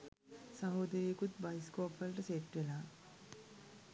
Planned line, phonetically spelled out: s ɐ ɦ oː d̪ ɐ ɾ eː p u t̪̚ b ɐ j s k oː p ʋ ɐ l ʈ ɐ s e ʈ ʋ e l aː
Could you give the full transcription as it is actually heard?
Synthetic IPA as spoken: s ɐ ɦ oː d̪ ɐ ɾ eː k u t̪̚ b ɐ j s k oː p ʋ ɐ l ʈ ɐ s e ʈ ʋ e l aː